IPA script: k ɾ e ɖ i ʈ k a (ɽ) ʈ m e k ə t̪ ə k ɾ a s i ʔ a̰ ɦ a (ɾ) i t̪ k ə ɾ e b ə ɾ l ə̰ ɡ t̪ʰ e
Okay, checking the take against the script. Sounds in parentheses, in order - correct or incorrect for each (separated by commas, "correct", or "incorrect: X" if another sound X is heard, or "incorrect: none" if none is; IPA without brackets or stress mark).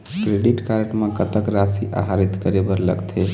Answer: incorrect: ɾ, correct